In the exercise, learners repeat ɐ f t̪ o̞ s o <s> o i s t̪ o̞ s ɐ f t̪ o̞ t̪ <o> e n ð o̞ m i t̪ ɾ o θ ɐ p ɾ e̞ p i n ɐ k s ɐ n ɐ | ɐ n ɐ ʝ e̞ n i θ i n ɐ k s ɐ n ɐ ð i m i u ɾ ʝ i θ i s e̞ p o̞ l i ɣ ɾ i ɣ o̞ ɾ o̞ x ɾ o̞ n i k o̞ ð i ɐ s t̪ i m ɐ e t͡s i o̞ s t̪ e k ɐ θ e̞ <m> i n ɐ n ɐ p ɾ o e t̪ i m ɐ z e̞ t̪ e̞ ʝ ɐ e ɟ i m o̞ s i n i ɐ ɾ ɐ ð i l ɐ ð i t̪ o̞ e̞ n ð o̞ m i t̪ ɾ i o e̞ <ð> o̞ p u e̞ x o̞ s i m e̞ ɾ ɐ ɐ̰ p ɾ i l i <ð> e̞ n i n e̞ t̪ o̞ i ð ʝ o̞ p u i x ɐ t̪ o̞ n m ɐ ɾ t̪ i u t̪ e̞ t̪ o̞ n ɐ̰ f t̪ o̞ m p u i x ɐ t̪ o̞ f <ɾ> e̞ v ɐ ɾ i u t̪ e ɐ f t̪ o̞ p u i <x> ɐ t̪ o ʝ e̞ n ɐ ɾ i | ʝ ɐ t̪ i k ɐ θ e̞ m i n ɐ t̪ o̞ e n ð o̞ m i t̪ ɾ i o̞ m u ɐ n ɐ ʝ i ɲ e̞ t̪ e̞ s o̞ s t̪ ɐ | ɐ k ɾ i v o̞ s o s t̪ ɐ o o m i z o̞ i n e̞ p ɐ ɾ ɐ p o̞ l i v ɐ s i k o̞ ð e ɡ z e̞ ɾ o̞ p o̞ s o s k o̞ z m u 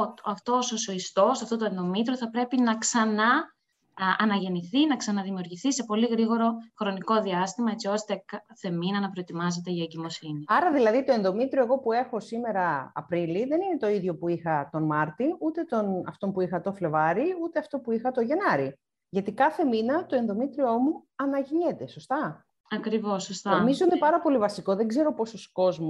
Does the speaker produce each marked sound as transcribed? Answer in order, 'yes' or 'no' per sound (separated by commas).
yes, yes, yes, no, yes, no, yes